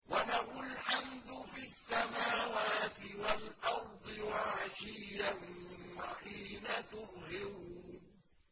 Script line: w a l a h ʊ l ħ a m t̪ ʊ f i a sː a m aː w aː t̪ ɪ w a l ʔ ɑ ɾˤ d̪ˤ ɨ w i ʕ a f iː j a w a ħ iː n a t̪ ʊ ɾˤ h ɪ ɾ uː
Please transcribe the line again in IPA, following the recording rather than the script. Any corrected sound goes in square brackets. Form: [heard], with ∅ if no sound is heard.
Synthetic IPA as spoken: w a l a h ʊ l ħ a m [d̪] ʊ f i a sː a m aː w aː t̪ ɪ w a l ʔ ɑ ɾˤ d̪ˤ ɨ w [a] ʕ a [ʃ] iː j a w a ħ iː n a t̪ ʊ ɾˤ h ɪ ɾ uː